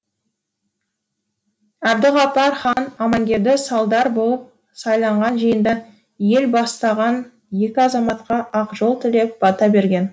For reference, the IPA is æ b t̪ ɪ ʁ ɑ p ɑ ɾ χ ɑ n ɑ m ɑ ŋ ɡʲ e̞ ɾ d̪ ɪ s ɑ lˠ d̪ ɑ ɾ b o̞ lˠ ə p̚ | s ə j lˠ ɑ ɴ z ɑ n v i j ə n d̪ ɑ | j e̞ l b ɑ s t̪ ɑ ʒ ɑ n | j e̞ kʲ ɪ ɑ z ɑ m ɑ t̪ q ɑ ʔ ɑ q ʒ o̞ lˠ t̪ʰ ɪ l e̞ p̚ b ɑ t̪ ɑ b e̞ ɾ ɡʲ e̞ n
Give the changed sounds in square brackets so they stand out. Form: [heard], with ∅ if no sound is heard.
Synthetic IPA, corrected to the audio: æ b [d̪] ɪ ʁ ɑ p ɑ ɾ χ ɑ n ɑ m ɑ ŋ ɡʲ e̞ ɾ d̪ ɪ s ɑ lˠ d̪ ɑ ɾ b o̞ lˠ ə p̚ | s [ɑ] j lˠ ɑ ɴ [ʁ] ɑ n [ʒ] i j ə n d̪ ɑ | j e̞ l b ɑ s t̪ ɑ [ʁ] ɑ n | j e̞ kʲ ɪ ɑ z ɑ m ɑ t̪ q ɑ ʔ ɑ q ʒ o̞ lˠ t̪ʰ ɪ l e̞ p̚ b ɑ t̪ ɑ b e̞ ɾ ɡʲ e̞ n

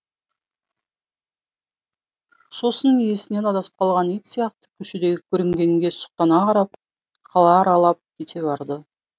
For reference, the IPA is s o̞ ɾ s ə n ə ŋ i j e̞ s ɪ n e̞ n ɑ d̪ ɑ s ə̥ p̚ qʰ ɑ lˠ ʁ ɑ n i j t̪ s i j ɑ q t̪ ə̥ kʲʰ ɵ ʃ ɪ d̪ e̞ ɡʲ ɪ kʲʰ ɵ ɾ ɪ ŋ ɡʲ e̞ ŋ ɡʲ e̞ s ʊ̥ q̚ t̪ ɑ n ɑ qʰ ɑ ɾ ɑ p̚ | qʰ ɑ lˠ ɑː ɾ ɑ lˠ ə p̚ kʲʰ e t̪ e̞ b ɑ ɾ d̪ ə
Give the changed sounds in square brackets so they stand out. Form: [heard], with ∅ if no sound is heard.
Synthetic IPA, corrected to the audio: s o̞ [∅] s ə n ə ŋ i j e̞ s ɪ n e̞ n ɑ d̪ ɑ s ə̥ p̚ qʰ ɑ lˠ ʁ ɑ n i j t̪ s i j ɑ q t̪ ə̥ kʲʰ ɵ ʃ ɪ d̪ e̞ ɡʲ ɪ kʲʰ ɵ ɾ ɪ ŋ ɡʲ e̞ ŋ ɡʲ e̞ s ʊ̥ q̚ t̪ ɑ n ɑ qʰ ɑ ɾ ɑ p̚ | qʰ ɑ lˠ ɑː ɾ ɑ lˠ [ɑ] p̚ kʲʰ e t̪ e̞ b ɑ ɾ d̪ ə

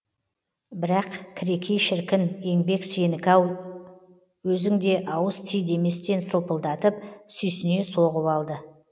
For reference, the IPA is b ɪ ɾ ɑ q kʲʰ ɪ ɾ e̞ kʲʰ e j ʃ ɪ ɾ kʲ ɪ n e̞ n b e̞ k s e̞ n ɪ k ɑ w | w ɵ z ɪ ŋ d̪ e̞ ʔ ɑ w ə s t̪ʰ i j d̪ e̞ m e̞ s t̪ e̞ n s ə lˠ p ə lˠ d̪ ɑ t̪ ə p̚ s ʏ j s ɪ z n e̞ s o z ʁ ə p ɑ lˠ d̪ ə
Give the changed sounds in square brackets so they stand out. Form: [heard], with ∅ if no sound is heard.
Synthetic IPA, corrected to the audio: b ɪ ɾ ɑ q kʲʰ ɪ ɾ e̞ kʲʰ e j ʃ ɪ ɾ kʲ ɪ n e̞ [ŋ] b e̞ k s e̞ n ɪ k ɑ w | w ɵ z ɪ ŋ d̪ e̞ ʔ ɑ w ə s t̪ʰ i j d̪ e̞ m e̞ s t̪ e̞ n s ə lˠ p ə lˠ d̪ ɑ t̪ ə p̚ s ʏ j s ɪ [∅] n e̞ s o [∅] ʁ ə p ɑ lˠ d̪ ə

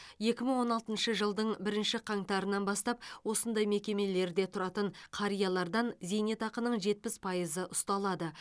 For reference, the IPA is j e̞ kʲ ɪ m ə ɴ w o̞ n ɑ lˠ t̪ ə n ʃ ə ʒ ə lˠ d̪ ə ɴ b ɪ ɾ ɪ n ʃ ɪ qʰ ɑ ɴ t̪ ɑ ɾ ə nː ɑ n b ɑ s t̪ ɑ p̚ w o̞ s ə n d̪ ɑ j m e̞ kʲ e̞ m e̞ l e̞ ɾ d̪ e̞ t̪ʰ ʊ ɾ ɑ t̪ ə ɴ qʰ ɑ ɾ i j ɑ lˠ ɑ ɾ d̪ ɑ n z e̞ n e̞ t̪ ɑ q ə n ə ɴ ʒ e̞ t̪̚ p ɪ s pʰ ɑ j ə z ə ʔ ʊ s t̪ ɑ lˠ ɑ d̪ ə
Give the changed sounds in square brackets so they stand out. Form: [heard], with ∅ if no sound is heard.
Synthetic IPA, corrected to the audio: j e̞ kʲ ɪ m ə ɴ w o̞ n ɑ lˠ t̪ ə n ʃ ə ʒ ə lˠ d̪ ə ɴ b ɪ ɾ ɪ n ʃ ɪ qʰ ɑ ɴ t̪ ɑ ɾ ə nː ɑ n b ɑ s t̪ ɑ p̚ w o̞ s ə n d̪ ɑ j m e̞ kʲ e̞ m e̞ l e̞ ɾ d̪ e̞ t̪ʰ ʊ ɾ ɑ t̪ ə ɴ qʰ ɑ ɾ i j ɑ lˠ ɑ ɾ d̪ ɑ n z e̞ n e̞ t̪ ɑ q ə n ə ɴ ʒ e̞ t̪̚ p ɪ s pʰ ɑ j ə z ə ʔ ʊ s t̪ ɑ lˠ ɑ d̪ ə

